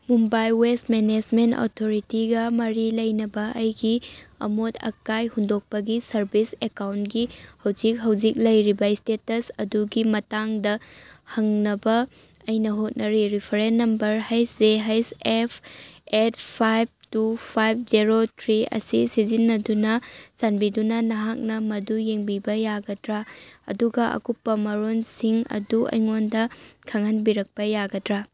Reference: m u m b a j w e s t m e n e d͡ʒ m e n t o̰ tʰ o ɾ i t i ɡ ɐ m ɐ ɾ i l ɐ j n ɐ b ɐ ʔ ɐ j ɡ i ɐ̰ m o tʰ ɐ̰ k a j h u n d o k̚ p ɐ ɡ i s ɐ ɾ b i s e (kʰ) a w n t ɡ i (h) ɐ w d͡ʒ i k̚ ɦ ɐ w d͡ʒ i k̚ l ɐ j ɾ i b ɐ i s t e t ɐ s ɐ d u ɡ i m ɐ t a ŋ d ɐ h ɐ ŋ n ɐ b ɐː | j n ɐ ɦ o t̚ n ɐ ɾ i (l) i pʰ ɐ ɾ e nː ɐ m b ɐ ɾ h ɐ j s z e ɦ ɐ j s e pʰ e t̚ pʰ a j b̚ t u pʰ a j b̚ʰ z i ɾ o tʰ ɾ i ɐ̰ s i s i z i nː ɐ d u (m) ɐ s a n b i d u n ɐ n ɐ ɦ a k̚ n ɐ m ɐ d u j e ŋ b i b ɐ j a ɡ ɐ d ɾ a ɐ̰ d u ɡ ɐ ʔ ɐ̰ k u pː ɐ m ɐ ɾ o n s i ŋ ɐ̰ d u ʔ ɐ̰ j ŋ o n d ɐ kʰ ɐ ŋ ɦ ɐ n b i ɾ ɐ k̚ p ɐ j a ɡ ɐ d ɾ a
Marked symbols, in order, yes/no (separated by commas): no, yes, no, no